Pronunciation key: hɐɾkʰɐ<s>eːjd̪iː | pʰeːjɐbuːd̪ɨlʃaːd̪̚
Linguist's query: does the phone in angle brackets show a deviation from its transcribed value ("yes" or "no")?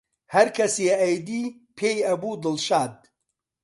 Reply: no